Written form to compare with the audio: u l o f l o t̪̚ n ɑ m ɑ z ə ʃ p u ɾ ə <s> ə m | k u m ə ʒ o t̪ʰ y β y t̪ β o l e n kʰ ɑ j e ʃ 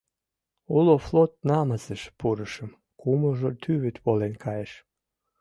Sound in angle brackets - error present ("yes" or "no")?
yes